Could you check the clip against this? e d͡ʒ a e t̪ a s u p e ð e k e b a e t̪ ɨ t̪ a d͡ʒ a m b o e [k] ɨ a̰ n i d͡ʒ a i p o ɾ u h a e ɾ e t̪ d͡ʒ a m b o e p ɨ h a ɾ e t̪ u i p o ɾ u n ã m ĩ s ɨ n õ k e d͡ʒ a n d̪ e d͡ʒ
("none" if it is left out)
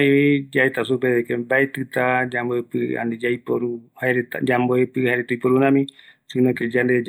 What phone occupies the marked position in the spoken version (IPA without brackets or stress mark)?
p